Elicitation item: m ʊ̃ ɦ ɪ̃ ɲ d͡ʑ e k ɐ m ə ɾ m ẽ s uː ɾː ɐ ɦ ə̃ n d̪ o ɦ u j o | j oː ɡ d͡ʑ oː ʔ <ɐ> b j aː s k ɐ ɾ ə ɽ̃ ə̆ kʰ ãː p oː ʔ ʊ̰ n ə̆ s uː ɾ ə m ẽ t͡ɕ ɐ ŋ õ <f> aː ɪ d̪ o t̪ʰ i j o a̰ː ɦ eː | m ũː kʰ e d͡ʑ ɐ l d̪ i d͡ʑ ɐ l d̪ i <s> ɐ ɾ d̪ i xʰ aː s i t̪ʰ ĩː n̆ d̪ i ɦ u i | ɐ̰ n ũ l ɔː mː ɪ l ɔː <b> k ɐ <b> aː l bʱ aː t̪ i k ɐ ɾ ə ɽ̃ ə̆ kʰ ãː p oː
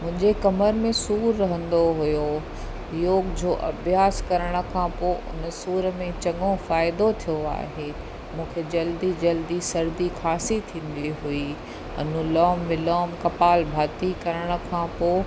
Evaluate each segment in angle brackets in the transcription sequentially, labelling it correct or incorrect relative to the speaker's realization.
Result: correct, correct, correct, incorrect: m, incorrect: p

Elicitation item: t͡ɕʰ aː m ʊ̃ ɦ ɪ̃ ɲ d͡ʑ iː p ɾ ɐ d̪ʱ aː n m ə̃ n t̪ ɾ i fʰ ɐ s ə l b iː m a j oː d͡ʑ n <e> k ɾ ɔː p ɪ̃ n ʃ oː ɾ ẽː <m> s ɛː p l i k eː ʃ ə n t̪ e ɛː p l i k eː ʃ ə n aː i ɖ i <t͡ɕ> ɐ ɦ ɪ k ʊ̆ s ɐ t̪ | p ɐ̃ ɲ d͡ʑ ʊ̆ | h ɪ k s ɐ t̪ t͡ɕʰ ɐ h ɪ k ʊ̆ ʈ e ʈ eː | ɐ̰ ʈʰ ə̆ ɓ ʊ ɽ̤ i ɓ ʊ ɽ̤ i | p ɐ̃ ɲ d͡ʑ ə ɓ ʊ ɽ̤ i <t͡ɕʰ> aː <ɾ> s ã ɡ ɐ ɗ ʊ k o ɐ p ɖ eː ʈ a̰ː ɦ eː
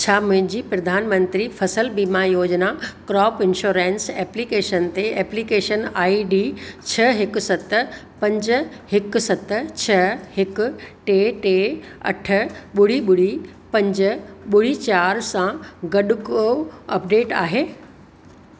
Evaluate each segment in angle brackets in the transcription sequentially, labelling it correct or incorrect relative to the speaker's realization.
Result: incorrect: a, incorrect: n, incorrect: t͡ɕʰ, incorrect: t͡ɕ, correct

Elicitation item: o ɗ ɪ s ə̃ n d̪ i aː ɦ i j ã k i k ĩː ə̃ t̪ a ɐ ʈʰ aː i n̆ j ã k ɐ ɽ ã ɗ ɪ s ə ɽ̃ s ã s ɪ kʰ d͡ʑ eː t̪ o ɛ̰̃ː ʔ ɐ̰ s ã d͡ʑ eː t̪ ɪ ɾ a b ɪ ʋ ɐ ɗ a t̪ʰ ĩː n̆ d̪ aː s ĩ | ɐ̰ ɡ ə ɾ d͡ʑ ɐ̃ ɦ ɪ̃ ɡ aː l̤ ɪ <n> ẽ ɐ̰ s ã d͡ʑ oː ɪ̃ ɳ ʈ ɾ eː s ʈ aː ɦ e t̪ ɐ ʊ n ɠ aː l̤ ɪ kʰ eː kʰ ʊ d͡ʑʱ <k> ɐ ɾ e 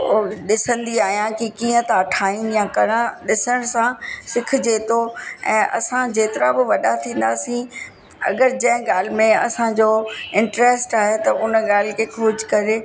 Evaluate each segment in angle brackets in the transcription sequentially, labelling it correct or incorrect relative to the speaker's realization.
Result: incorrect: m, correct

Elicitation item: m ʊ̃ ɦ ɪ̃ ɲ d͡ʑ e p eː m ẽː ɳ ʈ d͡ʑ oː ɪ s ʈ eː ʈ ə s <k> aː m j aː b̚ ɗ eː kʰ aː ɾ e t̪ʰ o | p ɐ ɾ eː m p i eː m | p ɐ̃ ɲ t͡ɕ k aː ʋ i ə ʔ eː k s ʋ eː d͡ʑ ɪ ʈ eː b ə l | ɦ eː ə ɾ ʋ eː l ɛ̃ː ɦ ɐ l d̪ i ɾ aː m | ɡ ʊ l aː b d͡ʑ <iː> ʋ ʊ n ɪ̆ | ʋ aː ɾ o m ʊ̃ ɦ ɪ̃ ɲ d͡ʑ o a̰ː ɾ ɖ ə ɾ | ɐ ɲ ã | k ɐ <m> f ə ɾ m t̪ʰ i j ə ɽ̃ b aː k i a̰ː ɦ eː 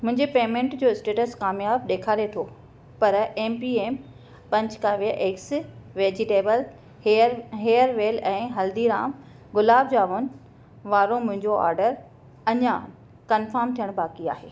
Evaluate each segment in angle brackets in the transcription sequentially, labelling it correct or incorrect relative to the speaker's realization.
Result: correct, incorrect: aː, incorrect: n

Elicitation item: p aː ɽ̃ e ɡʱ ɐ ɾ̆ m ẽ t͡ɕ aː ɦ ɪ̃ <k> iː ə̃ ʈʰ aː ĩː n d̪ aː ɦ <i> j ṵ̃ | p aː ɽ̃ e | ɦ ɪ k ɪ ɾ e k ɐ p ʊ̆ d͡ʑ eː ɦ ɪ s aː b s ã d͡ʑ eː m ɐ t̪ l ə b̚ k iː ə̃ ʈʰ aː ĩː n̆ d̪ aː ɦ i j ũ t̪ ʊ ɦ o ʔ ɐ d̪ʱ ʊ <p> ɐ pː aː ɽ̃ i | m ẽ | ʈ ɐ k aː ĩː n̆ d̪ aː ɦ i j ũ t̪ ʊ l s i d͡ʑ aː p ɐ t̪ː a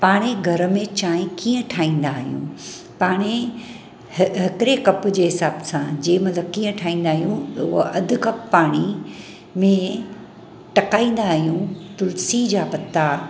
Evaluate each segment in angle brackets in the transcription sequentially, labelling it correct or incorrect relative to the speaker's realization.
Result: correct, correct, incorrect: k

